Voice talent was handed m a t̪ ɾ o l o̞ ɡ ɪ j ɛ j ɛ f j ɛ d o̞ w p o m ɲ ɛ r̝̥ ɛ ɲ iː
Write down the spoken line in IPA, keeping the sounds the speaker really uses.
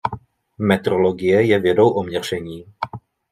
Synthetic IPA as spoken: m ɛ t̪ ɾ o l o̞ ɡ ɪ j ɛ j ɛ v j ɛ d o̞ w ʔ o m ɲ ɛ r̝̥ ɛ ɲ iː